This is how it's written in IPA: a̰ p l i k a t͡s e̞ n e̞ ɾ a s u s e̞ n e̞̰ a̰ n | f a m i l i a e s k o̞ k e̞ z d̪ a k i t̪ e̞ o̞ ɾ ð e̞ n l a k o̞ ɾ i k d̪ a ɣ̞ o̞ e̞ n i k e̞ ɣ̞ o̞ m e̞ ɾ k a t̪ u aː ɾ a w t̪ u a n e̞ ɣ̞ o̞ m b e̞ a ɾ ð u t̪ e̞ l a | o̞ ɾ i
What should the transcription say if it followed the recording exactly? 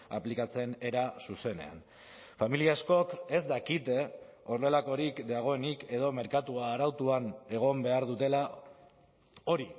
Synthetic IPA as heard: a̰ p l i k a t͡s e̞ n e̞ ɾ a s u s e̞ n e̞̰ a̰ n | f a m i l i a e s k o̞ k e̞ z d̪ a k i t̪ e̞ o̞ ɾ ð e̞ l a k o̞ ɾ i k d̪ a ɣ̞ o̞ e̞ n i k e̞ ð̞ o̞ m e̞ ɾ k a t̪ u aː ɾ a w t̪ u a n e̞ ɣ̞ o̞ m b e̞ a ɾ ð u t̪ e̞ l a | o̞ ɾ i